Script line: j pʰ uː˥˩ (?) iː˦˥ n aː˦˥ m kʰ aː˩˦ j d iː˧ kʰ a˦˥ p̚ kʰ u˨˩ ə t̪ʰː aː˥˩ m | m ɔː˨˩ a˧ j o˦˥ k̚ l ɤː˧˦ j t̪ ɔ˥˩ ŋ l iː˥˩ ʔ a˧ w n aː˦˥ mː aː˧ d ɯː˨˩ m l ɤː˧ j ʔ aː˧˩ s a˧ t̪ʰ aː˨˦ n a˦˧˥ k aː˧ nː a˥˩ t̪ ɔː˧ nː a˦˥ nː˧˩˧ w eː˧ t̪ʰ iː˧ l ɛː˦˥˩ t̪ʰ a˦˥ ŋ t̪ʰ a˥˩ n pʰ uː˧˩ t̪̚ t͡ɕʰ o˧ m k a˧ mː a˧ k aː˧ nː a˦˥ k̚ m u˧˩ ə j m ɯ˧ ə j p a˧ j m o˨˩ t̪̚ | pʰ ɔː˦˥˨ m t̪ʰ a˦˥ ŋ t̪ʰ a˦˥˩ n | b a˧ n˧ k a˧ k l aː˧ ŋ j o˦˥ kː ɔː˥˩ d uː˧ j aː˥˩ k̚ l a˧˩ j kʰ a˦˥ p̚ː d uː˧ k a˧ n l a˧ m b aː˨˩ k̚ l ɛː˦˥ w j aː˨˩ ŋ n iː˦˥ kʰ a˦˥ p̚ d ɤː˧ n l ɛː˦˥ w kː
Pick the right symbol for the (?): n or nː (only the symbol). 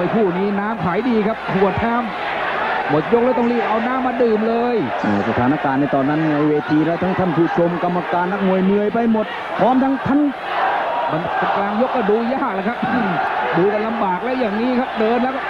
n